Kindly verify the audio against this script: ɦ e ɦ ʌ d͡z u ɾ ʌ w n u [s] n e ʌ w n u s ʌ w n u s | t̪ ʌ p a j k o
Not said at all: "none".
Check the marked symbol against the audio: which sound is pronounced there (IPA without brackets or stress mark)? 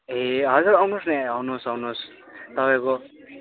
s